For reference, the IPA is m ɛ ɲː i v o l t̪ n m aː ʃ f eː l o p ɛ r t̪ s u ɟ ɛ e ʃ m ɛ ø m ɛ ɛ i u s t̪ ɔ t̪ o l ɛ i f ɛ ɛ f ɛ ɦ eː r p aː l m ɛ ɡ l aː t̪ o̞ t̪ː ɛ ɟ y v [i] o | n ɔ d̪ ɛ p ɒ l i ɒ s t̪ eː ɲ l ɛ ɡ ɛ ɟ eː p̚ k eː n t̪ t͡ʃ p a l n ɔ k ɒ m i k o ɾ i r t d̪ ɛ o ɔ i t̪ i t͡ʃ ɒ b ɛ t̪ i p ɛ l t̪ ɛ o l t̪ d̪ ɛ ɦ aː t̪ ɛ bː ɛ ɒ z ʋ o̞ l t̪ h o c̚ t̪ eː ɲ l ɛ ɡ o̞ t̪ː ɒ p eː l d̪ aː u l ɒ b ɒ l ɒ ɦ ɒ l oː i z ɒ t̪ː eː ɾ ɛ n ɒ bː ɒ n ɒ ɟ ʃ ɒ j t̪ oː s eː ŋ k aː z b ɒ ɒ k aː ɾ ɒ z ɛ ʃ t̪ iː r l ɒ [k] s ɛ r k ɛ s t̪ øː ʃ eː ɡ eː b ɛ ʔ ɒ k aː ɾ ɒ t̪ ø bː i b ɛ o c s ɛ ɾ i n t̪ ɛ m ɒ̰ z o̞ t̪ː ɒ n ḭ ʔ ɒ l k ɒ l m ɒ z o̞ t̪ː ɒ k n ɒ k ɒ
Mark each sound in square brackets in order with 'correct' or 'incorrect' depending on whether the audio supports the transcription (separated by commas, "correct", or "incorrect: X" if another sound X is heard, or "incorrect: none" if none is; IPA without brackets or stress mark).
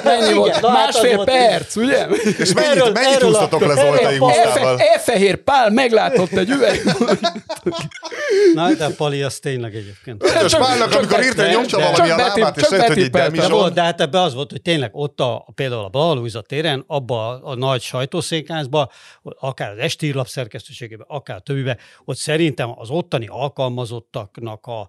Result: incorrect: ɛ, incorrect: p